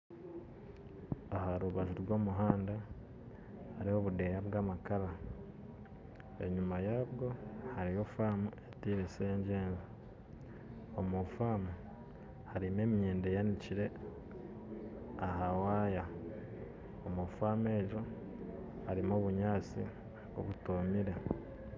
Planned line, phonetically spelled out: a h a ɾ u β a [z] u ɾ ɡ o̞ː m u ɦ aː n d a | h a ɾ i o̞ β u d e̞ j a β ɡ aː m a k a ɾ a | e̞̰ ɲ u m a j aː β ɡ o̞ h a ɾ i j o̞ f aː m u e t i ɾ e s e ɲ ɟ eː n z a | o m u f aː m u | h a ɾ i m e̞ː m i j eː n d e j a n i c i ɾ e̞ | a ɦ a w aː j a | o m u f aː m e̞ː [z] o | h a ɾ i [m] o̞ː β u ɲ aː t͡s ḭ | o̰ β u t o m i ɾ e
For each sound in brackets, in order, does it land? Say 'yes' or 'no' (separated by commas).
no, no, yes